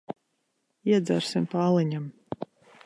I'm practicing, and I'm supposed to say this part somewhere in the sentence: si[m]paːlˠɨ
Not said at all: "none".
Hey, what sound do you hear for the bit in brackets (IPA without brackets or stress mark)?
m